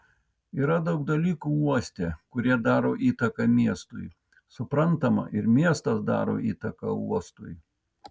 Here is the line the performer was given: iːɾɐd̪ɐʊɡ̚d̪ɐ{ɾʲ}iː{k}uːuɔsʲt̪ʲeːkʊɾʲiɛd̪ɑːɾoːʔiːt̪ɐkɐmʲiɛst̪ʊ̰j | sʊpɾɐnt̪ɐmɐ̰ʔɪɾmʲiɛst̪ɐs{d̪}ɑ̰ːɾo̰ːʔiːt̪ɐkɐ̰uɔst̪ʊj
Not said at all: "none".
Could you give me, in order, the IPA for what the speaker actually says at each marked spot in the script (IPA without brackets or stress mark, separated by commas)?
lʲ, k, d̪